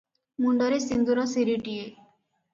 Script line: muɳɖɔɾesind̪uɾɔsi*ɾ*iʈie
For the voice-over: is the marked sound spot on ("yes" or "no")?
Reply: yes